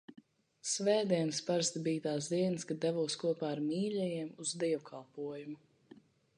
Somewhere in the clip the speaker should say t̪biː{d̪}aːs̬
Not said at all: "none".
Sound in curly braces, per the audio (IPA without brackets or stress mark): t̪